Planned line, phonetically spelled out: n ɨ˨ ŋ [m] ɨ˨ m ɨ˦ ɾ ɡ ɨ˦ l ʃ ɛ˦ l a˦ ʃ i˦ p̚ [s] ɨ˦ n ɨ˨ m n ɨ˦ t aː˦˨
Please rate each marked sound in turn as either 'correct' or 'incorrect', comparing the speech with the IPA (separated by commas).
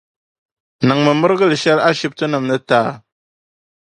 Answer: correct, incorrect